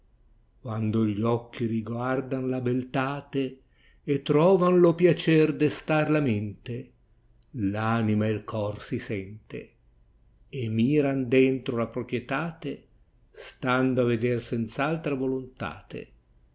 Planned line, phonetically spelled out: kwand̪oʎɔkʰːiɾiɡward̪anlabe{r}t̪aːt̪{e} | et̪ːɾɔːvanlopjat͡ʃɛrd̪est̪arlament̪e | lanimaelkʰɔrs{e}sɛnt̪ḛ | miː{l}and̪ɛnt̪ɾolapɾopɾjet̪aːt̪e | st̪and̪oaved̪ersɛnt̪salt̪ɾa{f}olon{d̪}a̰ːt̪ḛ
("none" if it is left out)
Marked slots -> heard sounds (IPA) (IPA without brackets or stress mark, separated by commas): l, e, i, ɾ, v, t̪